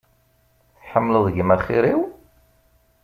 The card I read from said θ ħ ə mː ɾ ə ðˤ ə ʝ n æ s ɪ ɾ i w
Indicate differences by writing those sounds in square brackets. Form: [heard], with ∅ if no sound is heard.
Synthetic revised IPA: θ ħ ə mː [l] ə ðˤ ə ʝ [m] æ [χ] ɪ ɾ i w